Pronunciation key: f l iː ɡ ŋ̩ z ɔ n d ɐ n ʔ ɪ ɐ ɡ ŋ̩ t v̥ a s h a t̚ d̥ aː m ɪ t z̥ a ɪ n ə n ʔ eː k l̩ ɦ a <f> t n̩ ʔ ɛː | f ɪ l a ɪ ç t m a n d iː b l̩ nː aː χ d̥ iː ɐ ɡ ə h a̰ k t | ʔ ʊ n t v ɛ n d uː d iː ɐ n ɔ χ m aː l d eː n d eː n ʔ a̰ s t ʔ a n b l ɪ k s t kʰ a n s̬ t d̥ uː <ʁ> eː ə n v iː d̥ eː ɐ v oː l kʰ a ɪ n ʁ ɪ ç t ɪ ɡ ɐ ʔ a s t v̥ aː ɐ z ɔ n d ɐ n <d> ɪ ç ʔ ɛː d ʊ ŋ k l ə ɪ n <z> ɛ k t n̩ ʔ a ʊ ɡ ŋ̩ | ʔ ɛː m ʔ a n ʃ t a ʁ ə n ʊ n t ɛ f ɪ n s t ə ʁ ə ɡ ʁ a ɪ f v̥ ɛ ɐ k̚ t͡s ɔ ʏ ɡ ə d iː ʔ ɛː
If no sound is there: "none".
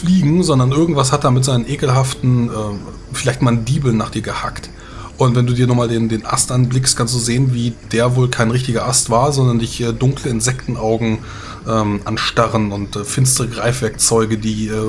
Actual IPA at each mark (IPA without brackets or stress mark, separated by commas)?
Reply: f, z, d, z